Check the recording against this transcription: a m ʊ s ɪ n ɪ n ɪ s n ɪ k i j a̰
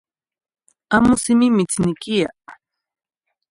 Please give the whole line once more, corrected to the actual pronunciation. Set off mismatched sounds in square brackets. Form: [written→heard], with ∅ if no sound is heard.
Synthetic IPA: a m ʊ s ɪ [n→m] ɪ [n→m] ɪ [s→t͡s] n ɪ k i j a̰